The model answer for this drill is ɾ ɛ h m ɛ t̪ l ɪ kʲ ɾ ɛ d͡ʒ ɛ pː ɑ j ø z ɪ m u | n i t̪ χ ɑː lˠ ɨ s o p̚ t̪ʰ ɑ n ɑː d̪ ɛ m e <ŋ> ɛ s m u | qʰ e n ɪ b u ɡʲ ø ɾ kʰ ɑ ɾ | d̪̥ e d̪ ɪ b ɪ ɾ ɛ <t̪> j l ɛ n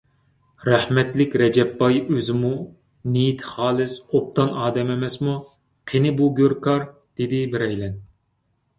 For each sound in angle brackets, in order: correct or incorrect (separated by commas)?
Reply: incorrect, incorrect